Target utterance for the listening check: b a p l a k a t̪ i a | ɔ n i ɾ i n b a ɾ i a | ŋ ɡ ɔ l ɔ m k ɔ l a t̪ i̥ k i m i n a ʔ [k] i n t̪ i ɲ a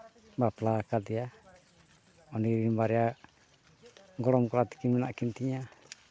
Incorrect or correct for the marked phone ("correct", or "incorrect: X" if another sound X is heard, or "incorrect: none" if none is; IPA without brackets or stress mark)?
correct